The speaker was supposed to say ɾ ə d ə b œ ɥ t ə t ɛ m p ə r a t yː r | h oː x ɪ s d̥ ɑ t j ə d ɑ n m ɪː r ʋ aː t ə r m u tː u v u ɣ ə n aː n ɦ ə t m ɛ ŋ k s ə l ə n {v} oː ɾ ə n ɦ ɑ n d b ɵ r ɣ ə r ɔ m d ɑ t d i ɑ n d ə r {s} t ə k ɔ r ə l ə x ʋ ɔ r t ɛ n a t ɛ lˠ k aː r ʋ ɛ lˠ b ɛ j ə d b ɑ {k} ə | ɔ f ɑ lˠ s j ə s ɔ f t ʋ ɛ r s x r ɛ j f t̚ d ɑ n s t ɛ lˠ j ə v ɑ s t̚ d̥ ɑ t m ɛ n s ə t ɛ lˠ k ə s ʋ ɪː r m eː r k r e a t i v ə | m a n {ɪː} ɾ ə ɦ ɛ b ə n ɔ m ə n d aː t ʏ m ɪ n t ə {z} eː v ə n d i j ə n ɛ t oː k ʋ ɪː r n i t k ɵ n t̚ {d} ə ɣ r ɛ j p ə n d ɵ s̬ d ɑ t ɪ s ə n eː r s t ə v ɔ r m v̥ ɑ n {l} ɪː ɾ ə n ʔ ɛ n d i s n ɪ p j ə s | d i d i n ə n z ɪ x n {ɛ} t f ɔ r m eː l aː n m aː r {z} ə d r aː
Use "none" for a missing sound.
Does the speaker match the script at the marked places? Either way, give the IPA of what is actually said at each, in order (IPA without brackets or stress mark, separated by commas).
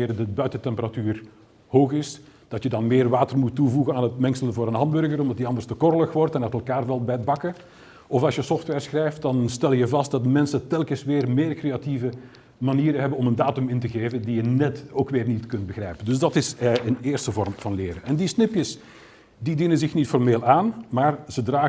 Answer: v, s, k, iː, ɣ, b, l, i, z